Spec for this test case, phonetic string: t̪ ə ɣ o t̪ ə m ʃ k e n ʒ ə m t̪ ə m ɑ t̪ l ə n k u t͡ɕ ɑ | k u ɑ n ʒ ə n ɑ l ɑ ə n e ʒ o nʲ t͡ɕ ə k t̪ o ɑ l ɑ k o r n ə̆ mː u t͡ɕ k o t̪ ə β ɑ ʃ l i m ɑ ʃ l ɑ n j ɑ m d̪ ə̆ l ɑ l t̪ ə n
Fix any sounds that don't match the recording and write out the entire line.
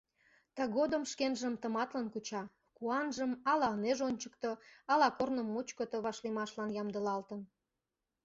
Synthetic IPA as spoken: t̪ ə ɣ o d̪ ə m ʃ k e n ʒ ə m t̪ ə m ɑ t̪ l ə n k u t͡ɕ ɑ | k u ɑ n ʒ ə m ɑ l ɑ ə n e ʒ o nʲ t͡ɕ ə k t̪ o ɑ l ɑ k o r n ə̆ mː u t͡ɕ k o t̪ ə β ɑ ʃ l i m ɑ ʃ l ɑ n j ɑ m d̪ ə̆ l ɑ l t̪ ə n